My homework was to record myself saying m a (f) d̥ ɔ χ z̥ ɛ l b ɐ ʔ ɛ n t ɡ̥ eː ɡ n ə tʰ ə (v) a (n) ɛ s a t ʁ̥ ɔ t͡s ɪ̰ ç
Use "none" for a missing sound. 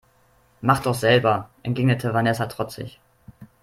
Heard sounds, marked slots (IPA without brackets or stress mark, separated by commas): χ, v, n